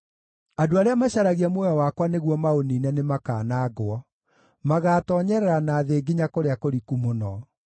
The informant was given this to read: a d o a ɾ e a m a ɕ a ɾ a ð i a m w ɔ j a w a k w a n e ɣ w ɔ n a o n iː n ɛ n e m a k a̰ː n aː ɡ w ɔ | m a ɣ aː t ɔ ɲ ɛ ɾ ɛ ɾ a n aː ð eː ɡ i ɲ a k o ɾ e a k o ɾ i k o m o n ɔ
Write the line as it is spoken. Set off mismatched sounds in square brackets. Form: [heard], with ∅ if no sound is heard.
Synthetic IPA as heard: a d o a ɾ e a m a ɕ a ɾ a [ɣ] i a m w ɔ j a w a k w a n e ɣ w ɔ [m] a o n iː n ɛ n e m a k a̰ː n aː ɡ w ɔ | m a ɣ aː t ɔ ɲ ɛ ɾ ɛ ɾ a n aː ð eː ɡ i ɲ a k o ɾ e a k o ɾ i k [u] m o n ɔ